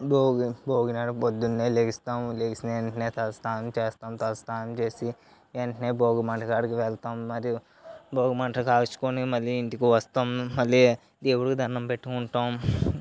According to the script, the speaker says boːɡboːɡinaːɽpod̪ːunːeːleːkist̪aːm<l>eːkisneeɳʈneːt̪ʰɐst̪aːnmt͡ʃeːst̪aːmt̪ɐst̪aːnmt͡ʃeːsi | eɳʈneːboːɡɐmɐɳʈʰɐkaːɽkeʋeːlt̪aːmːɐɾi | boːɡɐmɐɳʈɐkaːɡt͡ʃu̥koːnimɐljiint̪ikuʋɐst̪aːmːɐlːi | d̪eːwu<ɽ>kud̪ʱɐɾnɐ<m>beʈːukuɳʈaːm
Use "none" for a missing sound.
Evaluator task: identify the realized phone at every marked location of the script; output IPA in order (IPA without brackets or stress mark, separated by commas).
l, ɽ, m